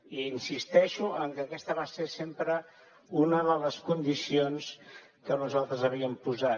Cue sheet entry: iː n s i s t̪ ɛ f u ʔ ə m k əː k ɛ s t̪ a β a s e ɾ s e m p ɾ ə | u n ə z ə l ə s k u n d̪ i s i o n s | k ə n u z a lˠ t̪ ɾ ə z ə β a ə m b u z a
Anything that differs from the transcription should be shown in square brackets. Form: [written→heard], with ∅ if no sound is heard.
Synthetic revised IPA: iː n s i s t̪ ɛ [f→ʃ] u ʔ ə [m→ŋ] k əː k ɛ s t̪ [a→ə] β a s e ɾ s e m p ɾ ə | u n ə [z→ð] ə l ə s k u n d̪ i s i o n s | k ə n u z a lˠ t̪ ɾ ə z ə β [a→i] ə m [b→p] u z a